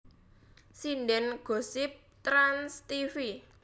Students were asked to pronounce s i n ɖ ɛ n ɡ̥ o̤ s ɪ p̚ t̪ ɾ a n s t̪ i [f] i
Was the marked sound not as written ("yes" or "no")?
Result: no